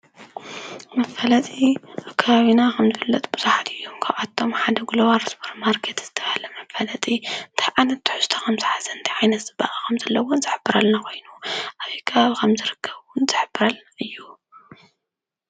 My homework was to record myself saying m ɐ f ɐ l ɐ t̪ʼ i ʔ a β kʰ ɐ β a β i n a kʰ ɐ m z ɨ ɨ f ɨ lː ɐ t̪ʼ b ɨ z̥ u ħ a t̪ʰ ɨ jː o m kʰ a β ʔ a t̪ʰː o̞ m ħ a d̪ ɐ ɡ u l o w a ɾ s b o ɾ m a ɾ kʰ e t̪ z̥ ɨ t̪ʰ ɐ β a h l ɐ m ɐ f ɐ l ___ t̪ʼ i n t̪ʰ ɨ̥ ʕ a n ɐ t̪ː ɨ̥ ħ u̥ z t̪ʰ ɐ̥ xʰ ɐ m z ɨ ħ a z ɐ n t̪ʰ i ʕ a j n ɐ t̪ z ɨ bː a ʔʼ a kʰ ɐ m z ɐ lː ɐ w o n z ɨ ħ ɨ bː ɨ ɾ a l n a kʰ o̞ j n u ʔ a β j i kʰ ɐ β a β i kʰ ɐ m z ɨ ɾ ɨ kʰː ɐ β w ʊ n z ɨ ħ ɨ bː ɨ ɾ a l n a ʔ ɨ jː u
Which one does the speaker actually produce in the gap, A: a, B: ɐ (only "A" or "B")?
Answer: B